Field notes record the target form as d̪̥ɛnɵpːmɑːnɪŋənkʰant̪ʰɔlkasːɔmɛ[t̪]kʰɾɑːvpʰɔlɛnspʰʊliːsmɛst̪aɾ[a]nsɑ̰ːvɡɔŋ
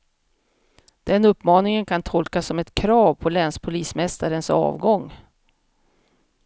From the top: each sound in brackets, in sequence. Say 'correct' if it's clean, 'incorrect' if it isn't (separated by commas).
correct, incorrect